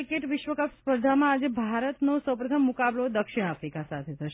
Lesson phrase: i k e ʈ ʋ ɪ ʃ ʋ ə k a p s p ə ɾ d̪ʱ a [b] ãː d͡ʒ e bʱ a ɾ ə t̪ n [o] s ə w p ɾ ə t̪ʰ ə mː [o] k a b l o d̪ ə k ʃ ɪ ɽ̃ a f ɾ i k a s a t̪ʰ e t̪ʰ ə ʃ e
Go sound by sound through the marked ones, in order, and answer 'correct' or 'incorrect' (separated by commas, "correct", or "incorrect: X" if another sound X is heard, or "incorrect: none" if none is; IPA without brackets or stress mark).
incorrect: m, correct, incorrect: u